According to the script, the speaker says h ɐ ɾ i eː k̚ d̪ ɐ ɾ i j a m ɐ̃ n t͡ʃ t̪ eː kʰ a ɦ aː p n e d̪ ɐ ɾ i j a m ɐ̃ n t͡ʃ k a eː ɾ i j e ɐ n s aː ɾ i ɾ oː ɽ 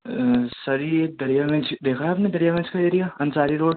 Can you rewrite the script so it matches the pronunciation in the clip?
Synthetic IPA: s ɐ ɾ i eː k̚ d̪ ɐ ɾ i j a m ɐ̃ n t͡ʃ d̪ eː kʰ a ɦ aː p n e d̪ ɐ ɾ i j a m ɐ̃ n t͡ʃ k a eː ɾ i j a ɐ n s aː ɾ i ɾ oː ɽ